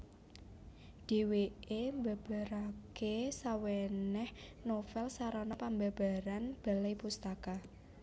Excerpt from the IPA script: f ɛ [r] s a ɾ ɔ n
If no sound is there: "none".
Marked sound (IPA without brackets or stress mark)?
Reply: l